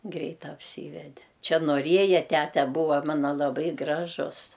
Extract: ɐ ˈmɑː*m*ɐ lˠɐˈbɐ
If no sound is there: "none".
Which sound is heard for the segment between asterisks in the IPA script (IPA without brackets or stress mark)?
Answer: n